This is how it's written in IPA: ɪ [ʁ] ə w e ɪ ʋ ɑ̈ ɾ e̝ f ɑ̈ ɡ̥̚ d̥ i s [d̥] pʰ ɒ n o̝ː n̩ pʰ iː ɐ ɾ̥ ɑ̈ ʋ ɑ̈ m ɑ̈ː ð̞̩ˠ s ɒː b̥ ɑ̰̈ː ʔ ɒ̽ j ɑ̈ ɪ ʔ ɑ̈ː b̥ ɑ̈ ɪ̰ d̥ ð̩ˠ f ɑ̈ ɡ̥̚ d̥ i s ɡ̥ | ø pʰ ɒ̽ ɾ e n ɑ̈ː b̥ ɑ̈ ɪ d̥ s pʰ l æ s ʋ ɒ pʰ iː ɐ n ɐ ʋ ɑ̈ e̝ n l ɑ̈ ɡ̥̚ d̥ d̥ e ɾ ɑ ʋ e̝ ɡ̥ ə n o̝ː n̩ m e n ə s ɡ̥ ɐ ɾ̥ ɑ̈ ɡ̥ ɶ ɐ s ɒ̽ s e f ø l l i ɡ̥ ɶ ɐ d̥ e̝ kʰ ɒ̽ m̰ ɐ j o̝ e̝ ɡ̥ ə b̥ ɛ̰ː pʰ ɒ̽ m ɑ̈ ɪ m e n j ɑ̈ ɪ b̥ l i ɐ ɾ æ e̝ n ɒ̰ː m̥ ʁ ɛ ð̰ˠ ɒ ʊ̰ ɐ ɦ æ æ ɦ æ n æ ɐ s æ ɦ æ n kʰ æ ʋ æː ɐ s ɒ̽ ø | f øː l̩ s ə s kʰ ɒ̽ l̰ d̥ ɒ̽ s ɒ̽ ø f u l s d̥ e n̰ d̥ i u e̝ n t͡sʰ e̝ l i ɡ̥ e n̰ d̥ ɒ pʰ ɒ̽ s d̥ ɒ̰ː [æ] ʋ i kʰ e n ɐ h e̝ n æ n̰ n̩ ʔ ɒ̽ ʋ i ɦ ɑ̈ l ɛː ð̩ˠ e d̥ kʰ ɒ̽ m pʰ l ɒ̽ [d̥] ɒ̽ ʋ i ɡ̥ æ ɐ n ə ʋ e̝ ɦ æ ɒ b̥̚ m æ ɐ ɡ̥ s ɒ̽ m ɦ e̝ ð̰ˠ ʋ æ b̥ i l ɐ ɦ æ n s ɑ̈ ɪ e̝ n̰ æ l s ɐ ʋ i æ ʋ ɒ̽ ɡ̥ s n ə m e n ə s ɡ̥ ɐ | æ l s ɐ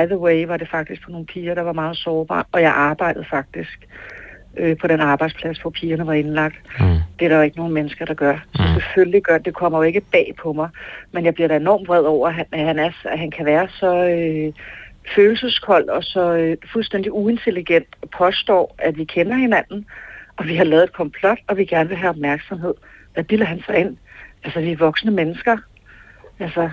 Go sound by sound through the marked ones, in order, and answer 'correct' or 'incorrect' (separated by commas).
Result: incorrect, incorrect, correct, correct